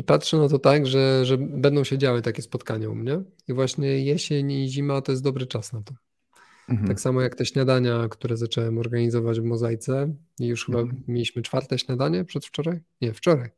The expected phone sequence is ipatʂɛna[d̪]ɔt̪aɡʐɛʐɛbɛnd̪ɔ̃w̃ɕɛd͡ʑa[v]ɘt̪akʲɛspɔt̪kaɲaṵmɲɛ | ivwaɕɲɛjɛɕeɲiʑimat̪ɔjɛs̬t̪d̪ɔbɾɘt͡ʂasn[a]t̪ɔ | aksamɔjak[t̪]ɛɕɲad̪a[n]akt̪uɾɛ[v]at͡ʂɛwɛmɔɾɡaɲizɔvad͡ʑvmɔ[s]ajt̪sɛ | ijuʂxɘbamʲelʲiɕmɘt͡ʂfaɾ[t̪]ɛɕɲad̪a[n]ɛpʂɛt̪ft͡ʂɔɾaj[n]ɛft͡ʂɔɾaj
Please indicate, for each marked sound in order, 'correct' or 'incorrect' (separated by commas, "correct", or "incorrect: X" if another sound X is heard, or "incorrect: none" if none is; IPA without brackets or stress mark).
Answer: incorrect: t̪, incorrect: w, correct, correct, incorrect: ɲ, incorrect: z, incorrect: z, correct, incorrect: ɲ, incorrect: ɲ